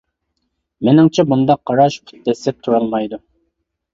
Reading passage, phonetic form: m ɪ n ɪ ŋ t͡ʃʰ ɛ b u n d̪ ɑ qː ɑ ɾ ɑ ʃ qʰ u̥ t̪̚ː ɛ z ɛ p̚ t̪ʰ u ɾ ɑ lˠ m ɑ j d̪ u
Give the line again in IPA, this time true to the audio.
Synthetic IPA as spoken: m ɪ n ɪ ŋ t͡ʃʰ ɛ b u n d̪ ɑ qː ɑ ɾ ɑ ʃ pʰ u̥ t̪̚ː ɛ s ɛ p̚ t̪ʰ u ɾ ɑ lˠ m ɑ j d̪ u